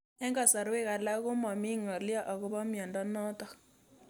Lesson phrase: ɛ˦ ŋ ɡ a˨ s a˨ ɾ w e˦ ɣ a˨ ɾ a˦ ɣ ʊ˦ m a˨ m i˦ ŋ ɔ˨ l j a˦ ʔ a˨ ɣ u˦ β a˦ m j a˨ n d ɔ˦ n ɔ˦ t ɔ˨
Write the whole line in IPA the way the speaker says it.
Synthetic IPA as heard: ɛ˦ ŋ ɡ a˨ s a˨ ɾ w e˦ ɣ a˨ l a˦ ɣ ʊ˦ m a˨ m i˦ ŋ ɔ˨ l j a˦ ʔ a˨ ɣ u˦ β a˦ m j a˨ n d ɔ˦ n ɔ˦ t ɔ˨